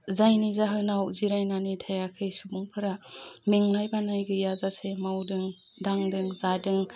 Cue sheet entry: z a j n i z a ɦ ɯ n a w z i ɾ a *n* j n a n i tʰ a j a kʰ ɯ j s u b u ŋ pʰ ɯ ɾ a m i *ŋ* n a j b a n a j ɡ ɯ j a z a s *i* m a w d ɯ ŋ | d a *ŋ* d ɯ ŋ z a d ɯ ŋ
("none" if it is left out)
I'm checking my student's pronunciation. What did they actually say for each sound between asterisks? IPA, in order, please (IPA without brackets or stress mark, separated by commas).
none, ŋ, e, ŋ